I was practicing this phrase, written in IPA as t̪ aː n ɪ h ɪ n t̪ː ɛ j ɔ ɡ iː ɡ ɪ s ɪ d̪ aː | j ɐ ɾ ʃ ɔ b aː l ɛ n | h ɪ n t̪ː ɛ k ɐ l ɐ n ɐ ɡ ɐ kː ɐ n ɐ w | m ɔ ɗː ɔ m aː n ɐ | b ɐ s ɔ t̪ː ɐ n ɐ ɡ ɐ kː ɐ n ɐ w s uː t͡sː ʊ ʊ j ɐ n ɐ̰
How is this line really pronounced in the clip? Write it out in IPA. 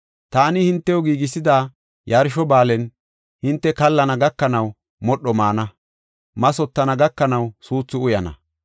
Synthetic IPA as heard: t̪ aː n ɪ h ɪ n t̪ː ɛ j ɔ ɡ iː ɡ ɪ s ɪ d̪ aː | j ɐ ɾ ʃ ɔ b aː l ɛ n | h ɪ n t̪ː ɛ k ɐ lː ɐ n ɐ ɡ ɐ kː ɐ n ɐ w | m ɔ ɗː ɔ m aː n ɐ | m ɐ s ɔ t̪ː ɐ n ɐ ɡ ɐ kː ɐ n ɐ w s uː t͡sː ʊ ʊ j ɐ n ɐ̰

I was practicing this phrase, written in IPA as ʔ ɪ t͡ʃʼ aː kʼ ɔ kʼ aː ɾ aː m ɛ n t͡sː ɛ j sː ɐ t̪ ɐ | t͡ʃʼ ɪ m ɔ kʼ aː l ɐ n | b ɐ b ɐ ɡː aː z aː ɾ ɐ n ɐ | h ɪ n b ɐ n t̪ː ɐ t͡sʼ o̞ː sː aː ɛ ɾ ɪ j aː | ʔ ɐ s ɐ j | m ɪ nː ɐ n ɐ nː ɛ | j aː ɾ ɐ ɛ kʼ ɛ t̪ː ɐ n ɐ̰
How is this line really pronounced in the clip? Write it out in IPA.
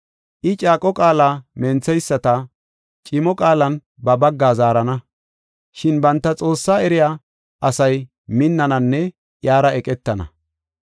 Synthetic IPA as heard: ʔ ɪ t͡ʃʼ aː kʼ ɔ kʼ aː l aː m ɛ n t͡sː ɛ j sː ɐ t̪ ɐ | t͡ʃʼ ɪ m ɔ kʼ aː l ɐ n | b ɐ b ɐ ɡː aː z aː ɾ ɐ n ɐ | ʃ ɪ n b ɐ n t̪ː ɐ t͡sʼ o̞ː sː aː ɛ ɾ ɪ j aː | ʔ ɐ s ɐ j | m ɪ nː ɐ n ɐ nː ɛ | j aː ɾ ɐ ɛ kʼ ɛ t̪ː ɐ n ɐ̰

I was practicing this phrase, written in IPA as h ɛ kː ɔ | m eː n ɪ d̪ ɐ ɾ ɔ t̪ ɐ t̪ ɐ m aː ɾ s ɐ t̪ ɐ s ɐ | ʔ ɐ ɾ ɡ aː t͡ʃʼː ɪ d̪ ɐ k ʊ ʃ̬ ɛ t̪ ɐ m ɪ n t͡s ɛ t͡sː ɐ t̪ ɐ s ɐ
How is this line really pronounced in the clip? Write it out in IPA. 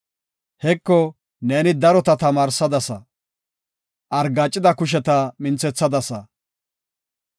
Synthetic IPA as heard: h ɛ kː ɔ | n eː n ɪ d̪ ɐ ɾ ɔ t̪ ɐ t̪ ɐ m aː ɾ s ɐ d̪ ɐ s ɐ | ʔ ɐ ɾ ɡ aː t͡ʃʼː ɪ d̪ ɐ k ʊ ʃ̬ ɛ t̪ ɐ m ɪ n t͡s ɛ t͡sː ɐ d̪ ɐ s ɐ

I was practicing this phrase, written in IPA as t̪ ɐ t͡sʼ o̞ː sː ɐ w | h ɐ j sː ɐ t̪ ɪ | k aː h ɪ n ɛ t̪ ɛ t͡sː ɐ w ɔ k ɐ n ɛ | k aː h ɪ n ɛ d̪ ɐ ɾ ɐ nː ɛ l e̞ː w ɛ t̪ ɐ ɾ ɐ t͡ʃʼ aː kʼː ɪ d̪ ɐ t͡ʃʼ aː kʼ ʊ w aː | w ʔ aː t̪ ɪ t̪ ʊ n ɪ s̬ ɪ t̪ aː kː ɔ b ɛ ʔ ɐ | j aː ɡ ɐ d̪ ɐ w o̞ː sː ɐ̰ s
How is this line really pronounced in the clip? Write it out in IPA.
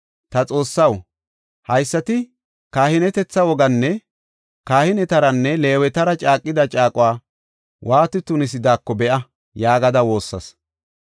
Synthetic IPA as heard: t̪ ɐ t͡sʼ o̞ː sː ɐ w | h ɐ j sː ɐ t̪ ɪ | k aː h ɪ n ɛ t̪ ɛ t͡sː ɐ w ɔ ɡ ɐ nː ɛ | k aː h ɪ n ɛ t̪ ɐ ɾ ɐ nː ɛ l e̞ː w ɛ t̪ ɐ ɾ ɐ t͡ʃʼ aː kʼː ɪ d̪ ɐ t͡ʃʼ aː kʼ ʊ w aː | w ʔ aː t̪ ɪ t̪ ʊ n ɪ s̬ ɪ d̪ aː kː ɔ b ɛ ʔ ɐ | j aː ɡ ɐ d̪ ɐ w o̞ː sː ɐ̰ s

